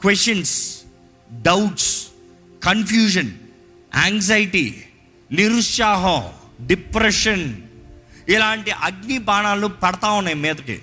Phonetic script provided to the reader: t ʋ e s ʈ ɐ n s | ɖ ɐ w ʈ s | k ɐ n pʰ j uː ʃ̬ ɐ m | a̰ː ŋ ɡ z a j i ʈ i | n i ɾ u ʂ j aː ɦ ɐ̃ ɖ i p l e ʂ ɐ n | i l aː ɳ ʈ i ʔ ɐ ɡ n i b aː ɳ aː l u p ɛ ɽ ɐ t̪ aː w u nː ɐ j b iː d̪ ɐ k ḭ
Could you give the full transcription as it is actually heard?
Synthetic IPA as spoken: k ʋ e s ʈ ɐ n s | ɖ ɐ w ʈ s | k ɐ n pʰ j uː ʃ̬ ɐ n | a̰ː ŋ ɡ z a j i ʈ i | n i ɾ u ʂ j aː ɦ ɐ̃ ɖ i p ɾ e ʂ ɐ n | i l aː ɳ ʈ i ʔ ɐ ɡ n i b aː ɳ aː l u p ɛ ɽ ɐ t̪ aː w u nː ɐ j m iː d̪ ɐ k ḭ